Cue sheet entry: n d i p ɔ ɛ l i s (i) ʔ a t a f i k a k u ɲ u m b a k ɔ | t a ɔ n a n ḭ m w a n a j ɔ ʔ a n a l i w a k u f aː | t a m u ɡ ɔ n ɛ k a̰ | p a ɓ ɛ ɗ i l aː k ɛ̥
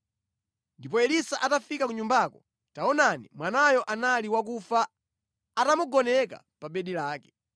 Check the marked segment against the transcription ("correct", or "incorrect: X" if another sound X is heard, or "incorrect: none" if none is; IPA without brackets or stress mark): incorrect: a